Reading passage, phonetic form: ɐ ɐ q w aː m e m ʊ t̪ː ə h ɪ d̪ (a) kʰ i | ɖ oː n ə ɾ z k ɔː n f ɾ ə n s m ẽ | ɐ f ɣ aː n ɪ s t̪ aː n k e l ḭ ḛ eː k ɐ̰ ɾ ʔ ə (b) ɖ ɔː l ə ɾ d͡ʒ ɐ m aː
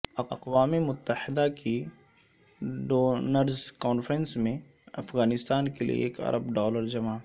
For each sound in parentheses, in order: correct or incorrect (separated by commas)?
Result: correct, correct